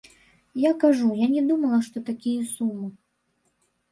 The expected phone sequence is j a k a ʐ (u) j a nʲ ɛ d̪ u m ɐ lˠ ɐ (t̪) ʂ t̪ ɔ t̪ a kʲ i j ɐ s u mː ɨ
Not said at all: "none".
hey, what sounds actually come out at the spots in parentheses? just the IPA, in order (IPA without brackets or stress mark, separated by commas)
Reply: u, none